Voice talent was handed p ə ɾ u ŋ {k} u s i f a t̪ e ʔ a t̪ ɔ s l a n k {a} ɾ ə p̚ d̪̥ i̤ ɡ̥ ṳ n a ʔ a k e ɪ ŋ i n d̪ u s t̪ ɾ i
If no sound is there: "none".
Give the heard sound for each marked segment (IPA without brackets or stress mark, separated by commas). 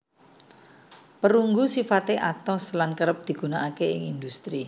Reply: ɡ, ə